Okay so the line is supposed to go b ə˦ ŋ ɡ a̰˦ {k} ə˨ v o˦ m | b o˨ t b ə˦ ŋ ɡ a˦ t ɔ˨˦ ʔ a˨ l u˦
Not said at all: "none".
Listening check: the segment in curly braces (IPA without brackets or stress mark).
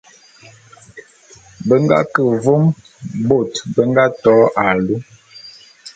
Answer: k